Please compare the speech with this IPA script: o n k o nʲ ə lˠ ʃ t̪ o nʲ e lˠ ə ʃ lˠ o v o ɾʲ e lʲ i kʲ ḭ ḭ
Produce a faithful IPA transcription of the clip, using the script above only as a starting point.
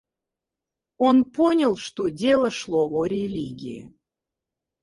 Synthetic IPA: o n p o nʲ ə lˠ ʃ t̪ o dʲ e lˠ ə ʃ lˠ o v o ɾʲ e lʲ i ɡʲ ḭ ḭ